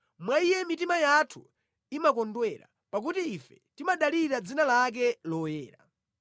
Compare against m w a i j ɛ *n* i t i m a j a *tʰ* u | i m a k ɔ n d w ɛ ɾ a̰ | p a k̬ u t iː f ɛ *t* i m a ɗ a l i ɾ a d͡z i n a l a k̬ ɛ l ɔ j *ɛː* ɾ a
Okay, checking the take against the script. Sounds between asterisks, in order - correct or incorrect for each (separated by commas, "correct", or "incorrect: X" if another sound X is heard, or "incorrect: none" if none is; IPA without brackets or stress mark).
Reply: incorrect: m, correct, correct, correct